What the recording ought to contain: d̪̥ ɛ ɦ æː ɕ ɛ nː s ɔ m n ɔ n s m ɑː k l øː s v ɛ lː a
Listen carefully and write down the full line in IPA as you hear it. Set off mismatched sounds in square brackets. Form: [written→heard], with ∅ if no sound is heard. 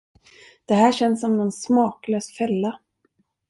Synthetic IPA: d̪̥ ɛ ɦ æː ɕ ɛ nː s ɔ m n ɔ n s m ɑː k l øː s [v→f] ɛ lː a